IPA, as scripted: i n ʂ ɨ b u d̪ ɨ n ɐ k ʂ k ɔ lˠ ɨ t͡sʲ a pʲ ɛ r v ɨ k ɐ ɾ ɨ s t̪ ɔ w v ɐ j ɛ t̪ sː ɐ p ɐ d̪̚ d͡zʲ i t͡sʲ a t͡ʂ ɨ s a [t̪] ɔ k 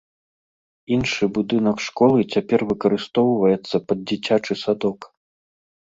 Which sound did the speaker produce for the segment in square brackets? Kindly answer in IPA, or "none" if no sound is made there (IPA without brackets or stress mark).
d̪